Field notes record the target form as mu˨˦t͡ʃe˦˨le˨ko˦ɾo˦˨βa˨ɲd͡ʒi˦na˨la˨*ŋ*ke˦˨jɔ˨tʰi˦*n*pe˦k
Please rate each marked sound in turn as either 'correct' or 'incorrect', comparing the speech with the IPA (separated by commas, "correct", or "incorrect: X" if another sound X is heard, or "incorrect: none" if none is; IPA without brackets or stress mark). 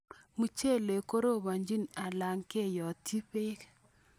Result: correct, incorrect: none